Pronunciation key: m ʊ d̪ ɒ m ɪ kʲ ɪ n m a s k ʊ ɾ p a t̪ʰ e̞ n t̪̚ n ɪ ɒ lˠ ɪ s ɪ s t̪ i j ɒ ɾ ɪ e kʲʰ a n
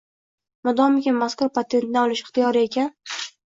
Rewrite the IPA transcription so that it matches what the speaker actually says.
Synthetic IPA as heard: m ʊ d̪ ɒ m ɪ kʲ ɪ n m a s k ʊ ɾ p a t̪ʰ e̞ n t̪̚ n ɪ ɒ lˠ ɪ ʃ ɪ χ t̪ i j ɒ ɾ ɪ e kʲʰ a n